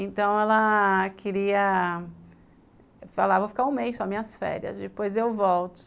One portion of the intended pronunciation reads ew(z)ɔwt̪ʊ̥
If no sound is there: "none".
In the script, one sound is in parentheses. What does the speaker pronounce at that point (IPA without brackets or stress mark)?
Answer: v